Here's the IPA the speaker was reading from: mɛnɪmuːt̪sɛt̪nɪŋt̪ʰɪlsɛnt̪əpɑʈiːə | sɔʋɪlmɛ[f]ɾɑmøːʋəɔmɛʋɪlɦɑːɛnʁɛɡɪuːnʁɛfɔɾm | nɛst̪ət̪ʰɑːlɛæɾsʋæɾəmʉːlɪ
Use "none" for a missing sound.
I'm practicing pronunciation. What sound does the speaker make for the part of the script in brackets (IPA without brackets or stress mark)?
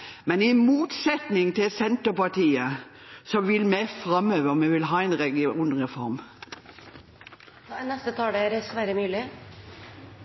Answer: f